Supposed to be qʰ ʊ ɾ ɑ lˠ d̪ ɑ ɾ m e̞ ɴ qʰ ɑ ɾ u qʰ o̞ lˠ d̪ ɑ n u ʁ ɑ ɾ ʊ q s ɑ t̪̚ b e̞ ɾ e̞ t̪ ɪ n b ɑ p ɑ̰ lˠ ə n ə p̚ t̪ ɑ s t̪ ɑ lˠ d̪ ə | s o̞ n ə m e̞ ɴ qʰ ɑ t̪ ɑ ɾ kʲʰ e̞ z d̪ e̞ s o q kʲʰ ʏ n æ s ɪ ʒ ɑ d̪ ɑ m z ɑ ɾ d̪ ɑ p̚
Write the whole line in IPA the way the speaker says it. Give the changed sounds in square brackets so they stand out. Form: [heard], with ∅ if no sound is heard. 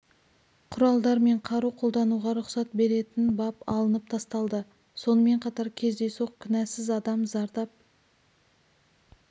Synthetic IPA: qʰ ʊ ɾ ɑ lˠ d̪ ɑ ɾ m e̞ ɴ qʰ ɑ ɾ u qʰ o̞ lˠ d̪ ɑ n u ʁ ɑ ɾ ʊ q s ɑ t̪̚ b e̞ ɾ e̞ t̪ ɪ n b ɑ p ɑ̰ lˠ ə n ə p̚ [t̪ʰ] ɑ s t̪ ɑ lˠ d̪ ə | s o̞ n ə m e̞ ɴ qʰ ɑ t̪ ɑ ɾ kʲʰ e̞ z d̪ e̞ s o q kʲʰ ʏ n æ s ɪ [z] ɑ d̪ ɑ m z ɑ ɾ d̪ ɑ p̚